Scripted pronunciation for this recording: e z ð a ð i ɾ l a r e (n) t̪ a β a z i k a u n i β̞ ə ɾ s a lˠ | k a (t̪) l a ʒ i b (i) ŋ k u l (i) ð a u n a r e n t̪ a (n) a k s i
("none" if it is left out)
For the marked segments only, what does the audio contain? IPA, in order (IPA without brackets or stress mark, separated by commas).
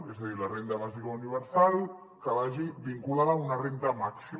n, none, i, a, m